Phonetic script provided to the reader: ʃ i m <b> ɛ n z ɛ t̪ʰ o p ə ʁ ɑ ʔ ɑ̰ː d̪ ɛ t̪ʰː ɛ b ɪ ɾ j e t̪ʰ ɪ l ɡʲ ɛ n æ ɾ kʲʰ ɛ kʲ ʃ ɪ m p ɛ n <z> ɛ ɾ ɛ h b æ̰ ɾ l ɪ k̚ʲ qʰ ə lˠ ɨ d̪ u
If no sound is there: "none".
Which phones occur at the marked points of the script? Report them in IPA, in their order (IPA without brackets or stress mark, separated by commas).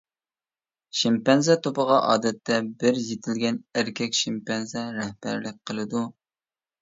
p, z